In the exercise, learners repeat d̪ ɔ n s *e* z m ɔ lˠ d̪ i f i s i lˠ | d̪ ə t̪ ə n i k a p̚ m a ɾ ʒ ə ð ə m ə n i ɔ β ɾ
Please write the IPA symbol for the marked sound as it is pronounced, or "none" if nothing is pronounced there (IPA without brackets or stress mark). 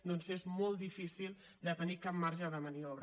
e